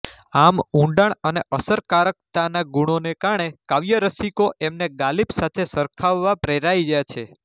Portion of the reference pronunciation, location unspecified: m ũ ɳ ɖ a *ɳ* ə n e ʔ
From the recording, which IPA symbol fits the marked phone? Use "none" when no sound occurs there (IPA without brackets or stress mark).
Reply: ɳ